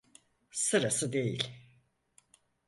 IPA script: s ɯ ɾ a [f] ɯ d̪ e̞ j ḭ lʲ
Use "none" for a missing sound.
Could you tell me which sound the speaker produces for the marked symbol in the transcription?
s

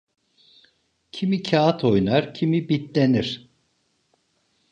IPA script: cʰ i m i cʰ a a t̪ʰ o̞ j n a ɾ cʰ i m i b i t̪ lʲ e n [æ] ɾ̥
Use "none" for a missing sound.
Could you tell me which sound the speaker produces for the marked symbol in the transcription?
i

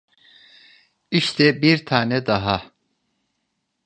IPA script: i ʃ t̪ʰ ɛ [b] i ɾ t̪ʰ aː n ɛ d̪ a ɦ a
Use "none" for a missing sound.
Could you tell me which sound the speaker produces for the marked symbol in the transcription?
b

